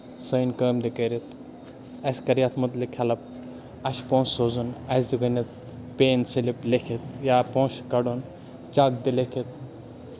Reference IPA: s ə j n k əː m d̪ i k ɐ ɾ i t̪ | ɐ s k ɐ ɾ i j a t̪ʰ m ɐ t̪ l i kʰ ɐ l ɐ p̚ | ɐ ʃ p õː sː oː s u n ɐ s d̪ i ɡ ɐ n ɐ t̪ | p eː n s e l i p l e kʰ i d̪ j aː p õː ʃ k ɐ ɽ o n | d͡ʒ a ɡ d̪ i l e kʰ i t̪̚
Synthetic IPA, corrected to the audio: s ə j n k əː m d̪ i k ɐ ɾ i t̪ | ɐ s k ɐ ɾ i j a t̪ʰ m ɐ t̪ l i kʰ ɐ l ɐ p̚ | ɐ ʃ p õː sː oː z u n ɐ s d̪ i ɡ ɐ n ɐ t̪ | p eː n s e l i p l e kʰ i t̪ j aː p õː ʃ k ɐ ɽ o n | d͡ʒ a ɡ d̪ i l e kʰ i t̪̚